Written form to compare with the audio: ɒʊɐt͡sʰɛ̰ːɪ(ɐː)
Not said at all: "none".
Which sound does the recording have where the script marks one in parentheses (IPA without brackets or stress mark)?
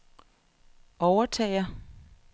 ɐ